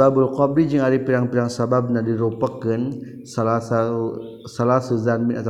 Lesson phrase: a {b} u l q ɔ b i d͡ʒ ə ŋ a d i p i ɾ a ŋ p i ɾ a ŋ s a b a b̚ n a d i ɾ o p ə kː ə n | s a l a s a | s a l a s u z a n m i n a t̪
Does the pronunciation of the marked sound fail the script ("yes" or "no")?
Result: no